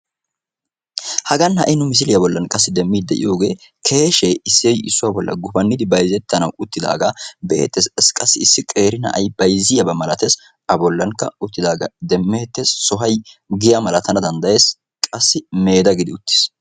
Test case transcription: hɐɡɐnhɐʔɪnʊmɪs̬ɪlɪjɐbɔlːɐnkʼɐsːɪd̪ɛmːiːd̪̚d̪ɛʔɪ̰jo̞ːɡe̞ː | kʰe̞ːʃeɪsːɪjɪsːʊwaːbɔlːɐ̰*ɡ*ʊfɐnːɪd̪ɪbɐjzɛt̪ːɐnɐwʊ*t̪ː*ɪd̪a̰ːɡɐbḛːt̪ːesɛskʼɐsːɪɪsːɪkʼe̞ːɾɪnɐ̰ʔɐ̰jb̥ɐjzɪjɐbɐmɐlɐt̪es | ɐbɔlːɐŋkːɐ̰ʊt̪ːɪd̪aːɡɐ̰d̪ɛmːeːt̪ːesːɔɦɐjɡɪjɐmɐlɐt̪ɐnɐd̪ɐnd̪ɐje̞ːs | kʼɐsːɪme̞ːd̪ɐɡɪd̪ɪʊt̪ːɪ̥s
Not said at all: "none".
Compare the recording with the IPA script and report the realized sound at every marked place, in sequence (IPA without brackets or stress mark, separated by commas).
ɡ, t̪ː